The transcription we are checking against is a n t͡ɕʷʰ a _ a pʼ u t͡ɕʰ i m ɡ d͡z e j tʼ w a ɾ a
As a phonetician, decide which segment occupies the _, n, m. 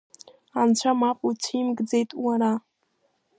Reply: m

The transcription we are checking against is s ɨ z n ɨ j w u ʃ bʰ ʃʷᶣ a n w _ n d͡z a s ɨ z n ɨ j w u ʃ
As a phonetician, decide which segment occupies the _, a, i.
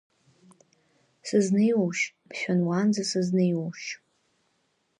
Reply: a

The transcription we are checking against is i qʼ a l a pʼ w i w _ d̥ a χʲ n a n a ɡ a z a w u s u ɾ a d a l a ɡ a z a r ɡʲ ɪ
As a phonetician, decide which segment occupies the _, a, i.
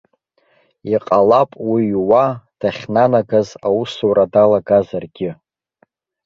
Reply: a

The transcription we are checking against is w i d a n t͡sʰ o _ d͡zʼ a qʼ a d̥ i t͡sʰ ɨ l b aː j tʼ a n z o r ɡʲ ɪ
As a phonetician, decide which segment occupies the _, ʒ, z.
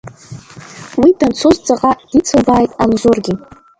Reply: z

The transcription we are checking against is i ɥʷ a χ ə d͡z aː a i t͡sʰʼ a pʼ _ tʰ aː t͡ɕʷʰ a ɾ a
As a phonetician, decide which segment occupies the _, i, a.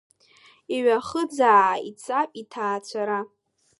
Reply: i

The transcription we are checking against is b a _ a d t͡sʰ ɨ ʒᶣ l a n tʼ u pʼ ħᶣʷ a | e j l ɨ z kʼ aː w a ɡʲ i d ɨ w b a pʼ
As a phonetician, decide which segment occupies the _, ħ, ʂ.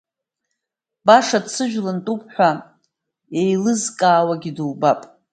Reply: ʂ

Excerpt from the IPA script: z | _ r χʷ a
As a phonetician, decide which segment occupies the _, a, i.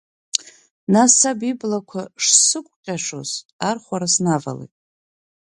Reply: a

